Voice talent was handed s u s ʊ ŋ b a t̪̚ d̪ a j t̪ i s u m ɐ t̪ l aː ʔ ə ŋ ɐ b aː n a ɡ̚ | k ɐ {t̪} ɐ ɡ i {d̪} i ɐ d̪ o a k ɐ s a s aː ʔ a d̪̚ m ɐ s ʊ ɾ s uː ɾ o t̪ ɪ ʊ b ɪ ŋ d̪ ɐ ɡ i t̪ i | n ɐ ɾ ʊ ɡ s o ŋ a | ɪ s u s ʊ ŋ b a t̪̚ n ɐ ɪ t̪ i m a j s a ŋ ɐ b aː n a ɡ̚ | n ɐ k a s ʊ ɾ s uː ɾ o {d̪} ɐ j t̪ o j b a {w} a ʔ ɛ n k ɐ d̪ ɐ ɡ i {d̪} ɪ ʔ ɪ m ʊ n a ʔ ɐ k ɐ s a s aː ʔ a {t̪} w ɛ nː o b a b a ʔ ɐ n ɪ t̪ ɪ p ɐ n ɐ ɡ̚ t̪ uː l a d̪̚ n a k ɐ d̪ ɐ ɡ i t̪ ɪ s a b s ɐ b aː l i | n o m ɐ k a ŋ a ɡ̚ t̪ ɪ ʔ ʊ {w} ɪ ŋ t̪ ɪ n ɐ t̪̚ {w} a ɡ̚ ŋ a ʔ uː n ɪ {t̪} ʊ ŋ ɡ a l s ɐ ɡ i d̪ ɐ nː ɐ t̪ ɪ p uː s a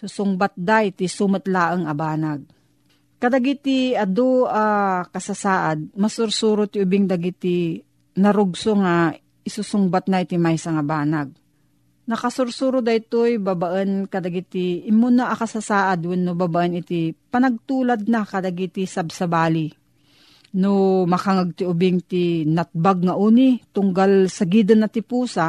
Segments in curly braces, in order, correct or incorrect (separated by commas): incorrect, incorrect, correct, incorrect, incorrect, incorrect, incorrect, incorrect, correct